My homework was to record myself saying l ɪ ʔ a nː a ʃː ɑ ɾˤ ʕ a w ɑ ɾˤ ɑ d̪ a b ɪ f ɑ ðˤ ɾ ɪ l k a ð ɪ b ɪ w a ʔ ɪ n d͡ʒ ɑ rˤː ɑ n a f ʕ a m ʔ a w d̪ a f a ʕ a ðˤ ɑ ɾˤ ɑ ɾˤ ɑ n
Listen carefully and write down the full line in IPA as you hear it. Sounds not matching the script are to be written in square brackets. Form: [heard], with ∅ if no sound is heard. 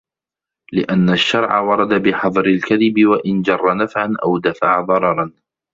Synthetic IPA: l ɪ ʔ a nː a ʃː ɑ ɾˤ ʕ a w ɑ ɾˤ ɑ d̪ a b ɪ [ħ] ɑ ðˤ ɾ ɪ l k a ð ɪ b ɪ w a ʔ ɪ n d͡ʒ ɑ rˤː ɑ n a f ʕ a [n] ʔ a w d̪ a f a ʕ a ðˤ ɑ ɾˤ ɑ ɾˤ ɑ n